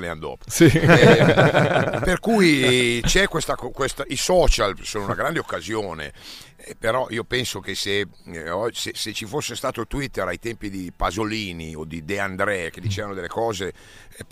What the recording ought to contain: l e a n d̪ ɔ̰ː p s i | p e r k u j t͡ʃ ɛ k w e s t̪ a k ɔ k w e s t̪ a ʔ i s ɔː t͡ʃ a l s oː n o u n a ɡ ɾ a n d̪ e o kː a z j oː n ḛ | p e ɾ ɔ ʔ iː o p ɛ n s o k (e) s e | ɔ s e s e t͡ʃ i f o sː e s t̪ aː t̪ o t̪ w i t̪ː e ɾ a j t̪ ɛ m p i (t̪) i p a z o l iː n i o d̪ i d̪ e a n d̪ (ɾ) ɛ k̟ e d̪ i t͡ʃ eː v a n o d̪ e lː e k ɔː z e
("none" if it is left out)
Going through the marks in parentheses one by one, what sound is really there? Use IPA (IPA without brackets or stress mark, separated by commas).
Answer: e, d̪, ɾ